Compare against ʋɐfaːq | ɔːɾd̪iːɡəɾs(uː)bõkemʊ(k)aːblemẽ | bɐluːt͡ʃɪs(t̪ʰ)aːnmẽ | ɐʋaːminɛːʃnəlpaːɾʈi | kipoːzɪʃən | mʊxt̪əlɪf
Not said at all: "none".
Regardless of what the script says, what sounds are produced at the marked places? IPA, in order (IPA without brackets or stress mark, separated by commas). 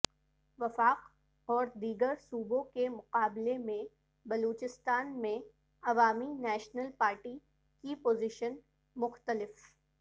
uː, q, t̪